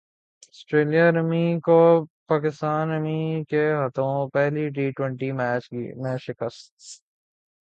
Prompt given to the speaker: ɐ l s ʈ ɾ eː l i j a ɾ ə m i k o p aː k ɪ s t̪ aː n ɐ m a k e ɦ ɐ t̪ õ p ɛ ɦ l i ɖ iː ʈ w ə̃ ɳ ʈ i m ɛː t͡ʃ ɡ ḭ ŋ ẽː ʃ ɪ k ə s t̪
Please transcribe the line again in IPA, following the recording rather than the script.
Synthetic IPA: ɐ s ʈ ɾ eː l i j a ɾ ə m i k o p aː k ɪ s t̪ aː n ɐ m i k e ɦ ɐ t̪ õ p ɛ ɦ l i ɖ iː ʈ w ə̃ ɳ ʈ i m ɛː t͡ʃ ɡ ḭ m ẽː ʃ ɪ k ə s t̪

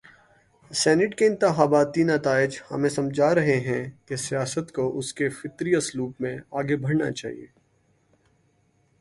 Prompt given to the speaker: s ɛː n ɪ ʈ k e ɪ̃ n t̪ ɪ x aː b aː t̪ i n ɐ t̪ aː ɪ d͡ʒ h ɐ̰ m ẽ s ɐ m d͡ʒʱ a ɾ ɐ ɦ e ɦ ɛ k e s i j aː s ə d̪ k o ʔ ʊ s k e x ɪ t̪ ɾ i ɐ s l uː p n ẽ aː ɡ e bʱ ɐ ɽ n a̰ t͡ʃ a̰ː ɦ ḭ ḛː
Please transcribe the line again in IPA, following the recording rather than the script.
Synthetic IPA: s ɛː n ɪ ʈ k e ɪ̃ n t̪ ɪ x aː b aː t̪ i n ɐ t̪ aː ɪ d͡ʒ h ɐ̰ m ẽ s ɐ m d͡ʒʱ a ɾ ɐ ɦ e ɦ ɛ̃ k e s i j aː s ə t̪ k o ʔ ʊ s k e f ɪ t̪ ɾ i ɐ s l uː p m ẽ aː ɡ e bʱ ɐ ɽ n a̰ t͡ʃ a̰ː ɦ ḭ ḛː

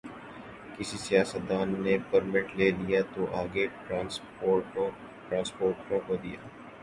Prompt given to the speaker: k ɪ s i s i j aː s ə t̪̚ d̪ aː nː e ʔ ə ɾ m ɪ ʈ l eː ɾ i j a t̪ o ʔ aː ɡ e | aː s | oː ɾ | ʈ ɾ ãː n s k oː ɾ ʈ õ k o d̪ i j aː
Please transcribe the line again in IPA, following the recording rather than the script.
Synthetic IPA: k ɪ s i s i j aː s ə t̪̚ d̪ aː nː e p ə ɾ m ɪ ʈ l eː l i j a t̪ o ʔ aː ɡ e | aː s | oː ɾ | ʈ ɾ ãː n s p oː ɾ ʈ õ k o d̪ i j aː

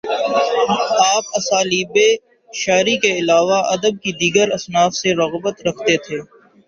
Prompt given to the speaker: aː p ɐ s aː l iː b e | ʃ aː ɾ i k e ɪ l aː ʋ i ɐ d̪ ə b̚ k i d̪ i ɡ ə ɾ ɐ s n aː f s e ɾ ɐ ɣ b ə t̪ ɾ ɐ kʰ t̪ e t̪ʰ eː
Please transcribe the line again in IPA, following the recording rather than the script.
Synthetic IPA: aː p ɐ s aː l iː b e | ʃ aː ɾ i k e ɪ l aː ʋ a ɐ d̪ ə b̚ k i d̪ iː ɡ ə ɾ ɐ s n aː f s e ɾ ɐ ɣ b ə t̪ ɾ ɐ kʰ t̪ e t̪ʰ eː

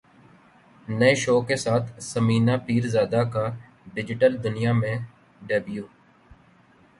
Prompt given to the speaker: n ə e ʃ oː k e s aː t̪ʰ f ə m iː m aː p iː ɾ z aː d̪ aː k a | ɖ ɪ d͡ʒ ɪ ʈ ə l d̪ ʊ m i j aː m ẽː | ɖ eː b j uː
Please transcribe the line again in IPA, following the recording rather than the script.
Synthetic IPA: n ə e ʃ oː k e s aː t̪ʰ s ə m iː n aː p iː ɾ z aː d̪ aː k a | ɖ ɪ d͡ʒ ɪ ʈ ə l d̪ ʊ n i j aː m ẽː | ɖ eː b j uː

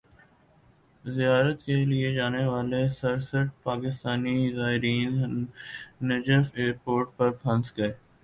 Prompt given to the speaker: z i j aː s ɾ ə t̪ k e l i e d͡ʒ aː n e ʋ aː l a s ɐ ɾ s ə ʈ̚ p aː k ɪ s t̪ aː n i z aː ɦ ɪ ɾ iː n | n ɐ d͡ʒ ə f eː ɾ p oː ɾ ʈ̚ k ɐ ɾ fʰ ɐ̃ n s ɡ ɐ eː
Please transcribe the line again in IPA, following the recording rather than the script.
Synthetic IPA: z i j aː ɾ ə t̪ k e l i e d͡ʒ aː n e ʋ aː l e s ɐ ɾ s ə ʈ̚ p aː k ɪ s t̪ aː n i z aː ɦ ɪ ɾ iː n | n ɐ d͡ʒ ə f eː ɾ p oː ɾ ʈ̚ p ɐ ɾ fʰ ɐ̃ n s ɡ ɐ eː

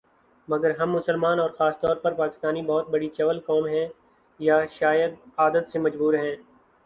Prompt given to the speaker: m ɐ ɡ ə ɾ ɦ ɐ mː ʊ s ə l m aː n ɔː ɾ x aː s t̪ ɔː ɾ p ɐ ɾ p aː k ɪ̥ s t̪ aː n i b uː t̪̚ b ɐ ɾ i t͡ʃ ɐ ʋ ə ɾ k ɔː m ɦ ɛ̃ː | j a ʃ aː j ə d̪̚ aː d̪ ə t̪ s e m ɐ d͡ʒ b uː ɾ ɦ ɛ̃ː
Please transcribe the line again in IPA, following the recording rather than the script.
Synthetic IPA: m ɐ ɡ ə ɾ ɦ ɐ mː ʊ s ə l m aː n ɔː ɾ x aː s t̪ ɔː ɾ p ɐ ɾ p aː k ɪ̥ s t̪ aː n i b ɔː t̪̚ b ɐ ɽ i t͡ʃ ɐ ʋ ə l k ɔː m ɦ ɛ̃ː | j a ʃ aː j ə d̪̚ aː d̪ ə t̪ s e m ɐ d͡ʒ b uː ɾ ɦ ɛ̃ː

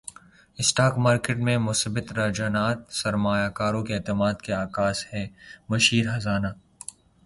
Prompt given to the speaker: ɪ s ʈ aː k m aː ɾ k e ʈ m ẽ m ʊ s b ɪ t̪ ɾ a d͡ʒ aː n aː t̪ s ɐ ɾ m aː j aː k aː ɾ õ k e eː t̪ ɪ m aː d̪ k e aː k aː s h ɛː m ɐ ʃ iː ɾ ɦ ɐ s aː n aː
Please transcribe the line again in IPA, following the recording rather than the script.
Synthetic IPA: ɪ s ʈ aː k m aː ɾ k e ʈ m ẽ m ʊ s b ɪ t̪ ɾ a d͡ʒ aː n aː t̪ s ɐ ɾ m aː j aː k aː ɾ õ k e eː t̪ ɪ m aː d̪ k e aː k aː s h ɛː m ɐ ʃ iː ɾ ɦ ɐ z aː n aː

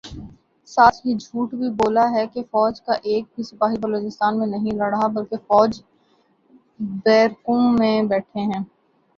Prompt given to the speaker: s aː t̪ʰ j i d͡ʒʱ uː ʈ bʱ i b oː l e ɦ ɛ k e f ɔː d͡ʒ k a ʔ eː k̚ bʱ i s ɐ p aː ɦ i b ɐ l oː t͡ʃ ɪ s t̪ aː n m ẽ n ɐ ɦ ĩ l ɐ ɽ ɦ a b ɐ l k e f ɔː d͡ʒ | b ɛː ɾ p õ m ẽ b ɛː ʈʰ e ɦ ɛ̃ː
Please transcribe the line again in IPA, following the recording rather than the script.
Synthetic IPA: s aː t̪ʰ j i d͡ʒʱ uː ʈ bʱ i b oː l a ɦ ɛ k e f ɔː d͡ʒ k a ʔ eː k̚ bʱ i s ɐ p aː ɦ i b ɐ l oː t͡ʃ ɪ s t̪ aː n m ẽ n ɐ ɦ ĩ l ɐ ɽ ɦ a b ɐ l k e f ɔː d͡ʒ | b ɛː ɾ k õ m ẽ b ɛː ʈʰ e ɦ ɛ̃ː

